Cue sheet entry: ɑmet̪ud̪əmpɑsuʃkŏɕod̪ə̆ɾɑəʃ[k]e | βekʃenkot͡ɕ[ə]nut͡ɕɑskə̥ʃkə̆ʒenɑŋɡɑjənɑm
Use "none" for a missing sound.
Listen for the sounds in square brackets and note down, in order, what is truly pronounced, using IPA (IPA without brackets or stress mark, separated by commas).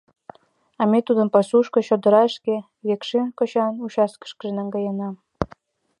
k, ɑ